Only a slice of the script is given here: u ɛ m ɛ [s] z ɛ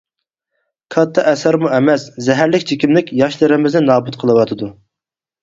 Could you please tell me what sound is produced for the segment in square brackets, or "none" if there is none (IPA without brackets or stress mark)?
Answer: s